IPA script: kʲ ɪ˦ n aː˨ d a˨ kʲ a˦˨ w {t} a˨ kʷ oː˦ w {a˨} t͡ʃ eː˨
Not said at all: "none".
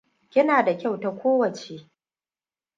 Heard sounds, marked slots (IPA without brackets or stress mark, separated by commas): t, ɐ˨